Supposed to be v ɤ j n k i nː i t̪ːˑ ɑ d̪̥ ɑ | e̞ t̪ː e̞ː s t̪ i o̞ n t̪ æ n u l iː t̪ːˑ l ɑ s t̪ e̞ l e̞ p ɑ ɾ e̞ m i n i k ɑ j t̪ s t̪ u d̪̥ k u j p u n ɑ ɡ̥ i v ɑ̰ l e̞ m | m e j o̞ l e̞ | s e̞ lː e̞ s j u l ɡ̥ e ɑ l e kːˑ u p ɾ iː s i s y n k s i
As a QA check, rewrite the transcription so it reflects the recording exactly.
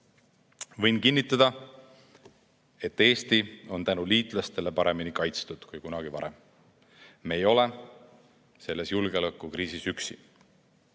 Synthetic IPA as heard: v ɤ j n k i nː i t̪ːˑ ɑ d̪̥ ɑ | e̞ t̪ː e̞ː s t̪ i o̞ n t̪ æ n u l iː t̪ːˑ l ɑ s t̪ e̞ l e̞ p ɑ ɾ e̞ m i n i k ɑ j t̪ s t̪ u d̪̥ k u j k u n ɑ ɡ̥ i v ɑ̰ ɾ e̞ m | m e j o̞ l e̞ | s e̞ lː e̞ s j u l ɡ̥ e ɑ l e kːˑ u k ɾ iː s i s y k s i